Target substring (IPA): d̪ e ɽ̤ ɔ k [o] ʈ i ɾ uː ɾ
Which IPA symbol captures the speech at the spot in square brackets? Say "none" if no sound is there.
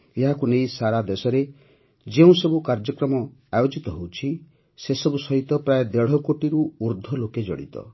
o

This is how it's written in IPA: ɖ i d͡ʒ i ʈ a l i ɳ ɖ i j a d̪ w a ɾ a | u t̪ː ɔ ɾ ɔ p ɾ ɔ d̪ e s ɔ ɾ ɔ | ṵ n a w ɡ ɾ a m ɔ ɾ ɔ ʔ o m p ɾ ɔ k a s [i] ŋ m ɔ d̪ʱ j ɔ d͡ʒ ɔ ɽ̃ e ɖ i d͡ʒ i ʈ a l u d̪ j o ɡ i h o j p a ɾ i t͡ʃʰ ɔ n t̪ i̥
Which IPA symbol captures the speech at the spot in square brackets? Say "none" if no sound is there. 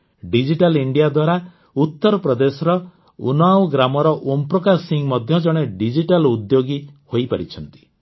i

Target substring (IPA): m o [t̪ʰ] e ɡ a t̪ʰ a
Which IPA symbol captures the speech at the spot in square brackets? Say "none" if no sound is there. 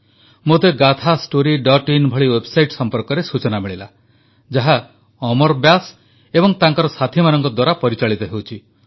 t̪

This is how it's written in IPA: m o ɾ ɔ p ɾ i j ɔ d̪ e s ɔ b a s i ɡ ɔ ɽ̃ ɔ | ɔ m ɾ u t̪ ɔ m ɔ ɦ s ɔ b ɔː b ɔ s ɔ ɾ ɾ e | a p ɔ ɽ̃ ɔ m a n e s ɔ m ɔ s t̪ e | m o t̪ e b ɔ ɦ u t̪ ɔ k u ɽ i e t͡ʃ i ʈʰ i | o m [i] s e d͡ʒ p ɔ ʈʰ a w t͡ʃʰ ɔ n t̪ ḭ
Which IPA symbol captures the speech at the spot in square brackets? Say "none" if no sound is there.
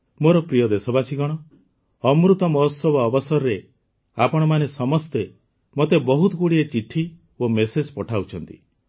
e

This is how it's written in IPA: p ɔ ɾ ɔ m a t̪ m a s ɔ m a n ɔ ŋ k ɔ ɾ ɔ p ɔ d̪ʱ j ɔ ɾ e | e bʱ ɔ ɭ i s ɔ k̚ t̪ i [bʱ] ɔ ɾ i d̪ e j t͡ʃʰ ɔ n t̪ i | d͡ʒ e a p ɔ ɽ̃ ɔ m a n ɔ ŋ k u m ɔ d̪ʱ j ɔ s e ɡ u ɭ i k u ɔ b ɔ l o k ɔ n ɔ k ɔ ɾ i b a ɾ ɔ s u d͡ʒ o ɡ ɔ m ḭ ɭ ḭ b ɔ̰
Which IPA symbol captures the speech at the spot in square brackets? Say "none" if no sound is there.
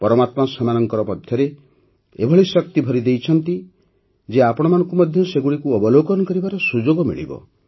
bʱ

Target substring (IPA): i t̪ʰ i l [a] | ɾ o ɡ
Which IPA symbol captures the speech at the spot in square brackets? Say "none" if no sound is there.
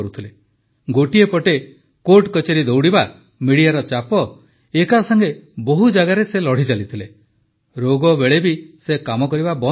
e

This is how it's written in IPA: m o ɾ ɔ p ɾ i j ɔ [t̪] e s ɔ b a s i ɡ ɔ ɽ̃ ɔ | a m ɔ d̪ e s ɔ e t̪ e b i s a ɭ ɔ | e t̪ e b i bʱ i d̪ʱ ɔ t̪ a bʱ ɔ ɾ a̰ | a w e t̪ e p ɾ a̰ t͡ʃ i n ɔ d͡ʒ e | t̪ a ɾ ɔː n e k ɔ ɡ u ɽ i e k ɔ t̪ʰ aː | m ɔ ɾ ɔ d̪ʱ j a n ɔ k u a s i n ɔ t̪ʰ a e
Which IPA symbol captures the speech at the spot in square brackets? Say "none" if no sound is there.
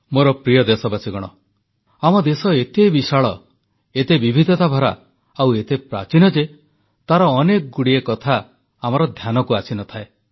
d̪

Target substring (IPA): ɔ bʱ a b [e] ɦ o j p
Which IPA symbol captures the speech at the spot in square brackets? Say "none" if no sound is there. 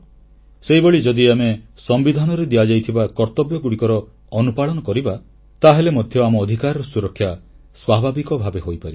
e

